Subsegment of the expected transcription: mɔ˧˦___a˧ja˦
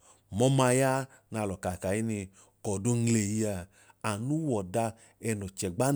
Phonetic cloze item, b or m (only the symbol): m